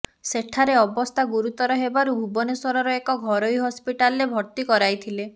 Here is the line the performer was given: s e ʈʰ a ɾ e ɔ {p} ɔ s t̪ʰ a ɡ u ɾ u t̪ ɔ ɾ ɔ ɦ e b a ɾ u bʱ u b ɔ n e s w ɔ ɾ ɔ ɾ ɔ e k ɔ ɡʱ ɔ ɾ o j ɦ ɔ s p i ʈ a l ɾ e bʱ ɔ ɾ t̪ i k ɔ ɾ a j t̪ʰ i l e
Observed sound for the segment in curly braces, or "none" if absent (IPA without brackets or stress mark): b